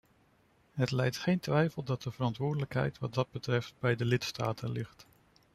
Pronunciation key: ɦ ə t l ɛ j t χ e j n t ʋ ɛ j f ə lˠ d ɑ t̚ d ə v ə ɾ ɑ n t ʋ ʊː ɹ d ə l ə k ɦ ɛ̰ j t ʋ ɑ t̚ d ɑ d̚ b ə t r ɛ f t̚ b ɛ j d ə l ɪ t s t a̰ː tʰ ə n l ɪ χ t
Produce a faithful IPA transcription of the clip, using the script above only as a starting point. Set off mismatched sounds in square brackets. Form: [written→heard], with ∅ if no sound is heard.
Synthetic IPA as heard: ɦ ə t l ɛ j t χ e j n t ʋ ɛ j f ə lˠ d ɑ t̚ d ə v ə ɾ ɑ n t ʋ ʊː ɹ d ə l ə k ɦ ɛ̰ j t ʋ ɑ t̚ d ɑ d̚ b ə t r ɛ f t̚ b ɛ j d ə l ɪ t s t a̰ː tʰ ə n l ɪ χ t